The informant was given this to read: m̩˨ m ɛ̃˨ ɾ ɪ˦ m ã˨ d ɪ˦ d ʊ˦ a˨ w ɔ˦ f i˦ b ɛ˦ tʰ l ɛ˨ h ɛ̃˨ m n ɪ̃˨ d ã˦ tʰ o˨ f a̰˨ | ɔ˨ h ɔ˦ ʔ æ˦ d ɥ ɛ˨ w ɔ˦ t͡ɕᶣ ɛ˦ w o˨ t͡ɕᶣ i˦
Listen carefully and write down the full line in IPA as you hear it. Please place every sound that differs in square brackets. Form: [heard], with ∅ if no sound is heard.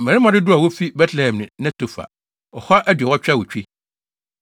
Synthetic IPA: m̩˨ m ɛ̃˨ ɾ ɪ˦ m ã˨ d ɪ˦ d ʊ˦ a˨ w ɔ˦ f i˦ b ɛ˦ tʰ l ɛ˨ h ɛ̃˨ m n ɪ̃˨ [n] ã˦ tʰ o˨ f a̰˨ | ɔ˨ h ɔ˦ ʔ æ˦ d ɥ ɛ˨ w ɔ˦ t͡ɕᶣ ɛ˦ w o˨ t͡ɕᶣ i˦